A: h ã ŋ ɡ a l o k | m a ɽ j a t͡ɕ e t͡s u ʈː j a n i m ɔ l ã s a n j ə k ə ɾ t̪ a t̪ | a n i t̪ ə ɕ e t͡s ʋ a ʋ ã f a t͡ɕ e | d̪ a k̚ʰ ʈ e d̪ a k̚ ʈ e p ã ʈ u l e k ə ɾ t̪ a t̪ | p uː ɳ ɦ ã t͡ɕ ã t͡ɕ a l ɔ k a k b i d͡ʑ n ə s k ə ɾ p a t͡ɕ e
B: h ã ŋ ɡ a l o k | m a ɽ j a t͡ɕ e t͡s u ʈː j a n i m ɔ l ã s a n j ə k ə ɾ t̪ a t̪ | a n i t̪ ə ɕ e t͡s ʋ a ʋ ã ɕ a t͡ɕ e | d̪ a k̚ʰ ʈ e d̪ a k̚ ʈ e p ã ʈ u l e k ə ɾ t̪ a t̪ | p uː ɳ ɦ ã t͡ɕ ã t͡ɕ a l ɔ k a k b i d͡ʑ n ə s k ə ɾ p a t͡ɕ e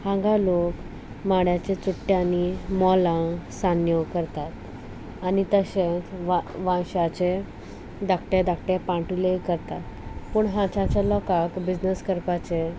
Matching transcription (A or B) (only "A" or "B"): B